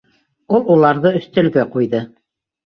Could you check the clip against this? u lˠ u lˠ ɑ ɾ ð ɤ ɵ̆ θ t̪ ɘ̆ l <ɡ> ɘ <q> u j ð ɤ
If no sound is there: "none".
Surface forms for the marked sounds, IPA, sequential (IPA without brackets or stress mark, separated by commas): ɡ, q